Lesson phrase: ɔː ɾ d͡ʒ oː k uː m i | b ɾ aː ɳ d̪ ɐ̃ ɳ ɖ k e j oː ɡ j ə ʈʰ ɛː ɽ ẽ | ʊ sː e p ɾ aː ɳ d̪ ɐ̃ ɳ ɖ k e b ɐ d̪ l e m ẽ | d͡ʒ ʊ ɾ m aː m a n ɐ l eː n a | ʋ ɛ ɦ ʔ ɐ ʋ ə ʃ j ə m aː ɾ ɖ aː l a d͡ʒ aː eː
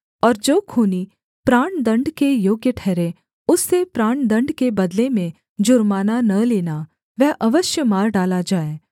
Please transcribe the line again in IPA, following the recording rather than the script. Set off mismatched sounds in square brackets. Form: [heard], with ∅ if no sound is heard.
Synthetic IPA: ɔː ɾ d͡ʒ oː [kʰ] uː [n] i | [p] ɾ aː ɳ d̪ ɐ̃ ɳ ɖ k e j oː ɡ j ə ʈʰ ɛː [ɾ] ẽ | ʊ sː e p ɾ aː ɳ d̪ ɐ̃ ɳ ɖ k e b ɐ d̪ l e m ẽ | d͡ʒ ʊ ɾ m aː [n] a n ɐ l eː n a | ʋ ɛ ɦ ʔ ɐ ʋ ə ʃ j ə m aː ɾ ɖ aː l a d͡ʒ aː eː

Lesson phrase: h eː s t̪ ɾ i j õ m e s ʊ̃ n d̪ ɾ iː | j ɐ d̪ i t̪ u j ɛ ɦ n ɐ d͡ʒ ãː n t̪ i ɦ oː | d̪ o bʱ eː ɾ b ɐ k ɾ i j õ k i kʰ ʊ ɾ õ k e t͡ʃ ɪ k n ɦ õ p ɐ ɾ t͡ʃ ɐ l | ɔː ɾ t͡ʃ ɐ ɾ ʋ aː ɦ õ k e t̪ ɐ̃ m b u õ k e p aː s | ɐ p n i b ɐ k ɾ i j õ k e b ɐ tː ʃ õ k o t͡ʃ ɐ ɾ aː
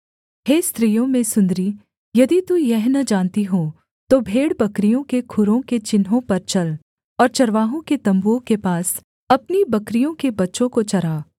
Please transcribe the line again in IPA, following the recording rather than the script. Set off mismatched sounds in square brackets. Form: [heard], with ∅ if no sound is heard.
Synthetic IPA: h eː s t̪ ɾ i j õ m [ẽ] s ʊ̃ n d̪ ɾ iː | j ɐ d̪ i t̪ u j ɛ ɦ n ɐ d͡ʒ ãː n t̪ i ɦ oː | [t̪] o bʱ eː [ɽ] b ɐ k ɾ i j õ k [e] kʰ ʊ ɾ õ k e t͡ʃ ɪ [∅] n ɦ õ p ɐ ɾ t͡ʃ ɐ l | ɔː ɾ t͡ʃ ɐ ɾ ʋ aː ɦ õ k e t̪ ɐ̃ m b u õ k e p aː s | ɐ p n i b ɐ k ɾ i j õ k e b ɐ tː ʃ õ k o t͡ʃ ɐ ɾ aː

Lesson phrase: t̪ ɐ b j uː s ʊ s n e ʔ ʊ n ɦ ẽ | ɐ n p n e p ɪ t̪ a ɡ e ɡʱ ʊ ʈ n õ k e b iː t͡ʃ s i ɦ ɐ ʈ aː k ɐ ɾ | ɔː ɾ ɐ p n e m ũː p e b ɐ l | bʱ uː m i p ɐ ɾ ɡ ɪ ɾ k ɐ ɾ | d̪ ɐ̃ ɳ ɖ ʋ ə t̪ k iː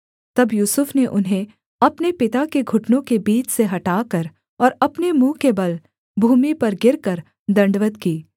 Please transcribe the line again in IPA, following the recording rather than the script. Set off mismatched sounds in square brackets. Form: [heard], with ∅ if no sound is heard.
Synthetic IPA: t̪ ɐ b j uː s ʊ [f] n e ʔ ʊ n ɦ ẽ | ɐ [∅] p n e p ɪ t̪ a [k] e ɡʱ ʊ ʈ n õ k e b iː t͡ʃ s [e] ɦ ɐ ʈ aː k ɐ ɾ | ɔː ɾ ɐ p n e m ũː [k] e b ɐ l | bʱ uː m i p ɐ ɾ ɡ ɪ ɾ k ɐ ɾ | d̪ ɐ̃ ɳ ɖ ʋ ə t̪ k iː

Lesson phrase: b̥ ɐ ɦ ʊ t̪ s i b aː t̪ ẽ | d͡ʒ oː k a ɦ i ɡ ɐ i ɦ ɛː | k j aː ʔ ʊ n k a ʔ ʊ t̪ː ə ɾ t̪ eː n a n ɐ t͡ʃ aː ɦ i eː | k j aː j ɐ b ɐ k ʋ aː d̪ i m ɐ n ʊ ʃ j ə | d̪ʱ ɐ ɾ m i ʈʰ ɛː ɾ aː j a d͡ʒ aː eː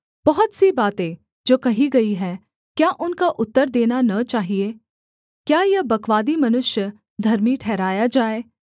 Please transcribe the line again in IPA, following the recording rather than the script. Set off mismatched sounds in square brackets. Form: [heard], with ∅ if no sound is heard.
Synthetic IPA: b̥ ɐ ɦ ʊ t̪ s i b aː t̪ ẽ | d͡ʒ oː k [ɐ] ɦ i ɡ ɐ i ɦ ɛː | k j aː ʔ ʊ n k a ʔ ʊ t̪ː ə ɾ [d̪] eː n a n ɐ t͡ʃ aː ɦ i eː | k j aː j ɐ b ɐ k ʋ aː d̪ i m ɐ n ʊ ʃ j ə | d̪ʱ ɐ ɾ m i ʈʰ ɛː ɾ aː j a d͡ʒ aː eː

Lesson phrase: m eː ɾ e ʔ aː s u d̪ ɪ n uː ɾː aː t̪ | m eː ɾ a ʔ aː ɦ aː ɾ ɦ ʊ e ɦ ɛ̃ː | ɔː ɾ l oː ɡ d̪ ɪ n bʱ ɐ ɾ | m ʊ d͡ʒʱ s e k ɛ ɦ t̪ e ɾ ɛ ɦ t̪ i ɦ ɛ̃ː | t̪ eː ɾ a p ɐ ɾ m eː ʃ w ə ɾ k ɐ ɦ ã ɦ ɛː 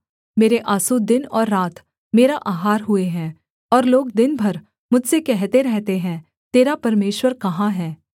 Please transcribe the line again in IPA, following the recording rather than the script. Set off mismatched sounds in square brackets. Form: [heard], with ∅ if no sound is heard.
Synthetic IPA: m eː ɾ e ʔ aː s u d̪ ɪ n [ɔː] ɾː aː t̪ | m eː ɾ a ʔ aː ɦ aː ɾ ɦ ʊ e ɦ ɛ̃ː | ɔː ɾ l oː ɡ d̪ ɪ n bʱ ɐ ɾ | m ʊ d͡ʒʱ s e k ɛ ɦ t̪ e ɾ ɛ ɦ t̪ [e] ɦ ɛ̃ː | t̪ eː ɾ a p ɐ ɾ m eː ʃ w ə ɾ k ɐ ɦ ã ɦ ɛː

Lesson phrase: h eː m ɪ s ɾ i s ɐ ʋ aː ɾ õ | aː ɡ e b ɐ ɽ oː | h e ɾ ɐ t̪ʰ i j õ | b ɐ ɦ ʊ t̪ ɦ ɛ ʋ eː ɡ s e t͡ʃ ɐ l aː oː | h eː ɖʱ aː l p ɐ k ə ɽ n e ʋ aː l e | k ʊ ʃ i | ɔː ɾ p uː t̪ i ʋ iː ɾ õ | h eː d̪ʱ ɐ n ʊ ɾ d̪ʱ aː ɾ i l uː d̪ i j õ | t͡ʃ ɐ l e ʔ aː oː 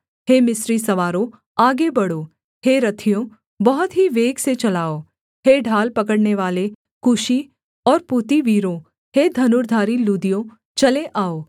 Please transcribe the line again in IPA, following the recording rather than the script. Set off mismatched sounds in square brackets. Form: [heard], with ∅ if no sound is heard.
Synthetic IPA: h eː m ɪ s ɾ i s ɐ ʋ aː ɾ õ | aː ɡ e b ɐ ɽ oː | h e ɾ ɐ t̪ʰ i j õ | b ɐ ɦ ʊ t̪ ɦ [i] ʋ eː ɡ s e t͡ʃ ɐ l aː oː | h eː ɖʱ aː l p ɐ k ə ɽ n e ʋ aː l e | k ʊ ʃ i | ɔː ɾ p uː t̪ i ʋ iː ɾ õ | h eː d̪ʱ ɐ n ʊ ɾ d̪ʱ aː ɾ i l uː d̪ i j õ | t͡ʃ ɐ l e ʔ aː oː

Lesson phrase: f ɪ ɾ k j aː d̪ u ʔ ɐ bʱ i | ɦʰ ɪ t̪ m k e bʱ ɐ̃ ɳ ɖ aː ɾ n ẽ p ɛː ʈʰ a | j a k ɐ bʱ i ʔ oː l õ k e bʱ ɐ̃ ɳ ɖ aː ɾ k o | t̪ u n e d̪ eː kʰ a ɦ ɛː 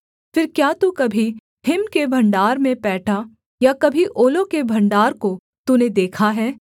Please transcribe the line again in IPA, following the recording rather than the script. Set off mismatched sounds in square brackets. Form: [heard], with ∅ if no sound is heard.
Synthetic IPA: f ɪ ɾ k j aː [t̪] u [k] ɐ bʱ i | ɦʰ ɪ [∅] m k e bʱ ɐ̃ ɳ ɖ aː ɾ [m] ẽ p ɛː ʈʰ a | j a k ɐ bʱ i ʔ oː l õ k e bʱ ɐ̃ ɳ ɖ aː ɾ k o | t̪ u n e d̪ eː kʰ a ɦ ɛː

